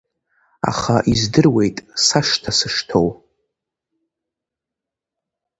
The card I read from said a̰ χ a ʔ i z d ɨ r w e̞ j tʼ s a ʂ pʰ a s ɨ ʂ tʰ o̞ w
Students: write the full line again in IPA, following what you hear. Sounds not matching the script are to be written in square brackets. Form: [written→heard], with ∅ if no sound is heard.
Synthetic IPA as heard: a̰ χ a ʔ i z d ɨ r w e̞ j tʼ s a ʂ [pʰ→tʰ] a s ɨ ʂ tʰ o̞ w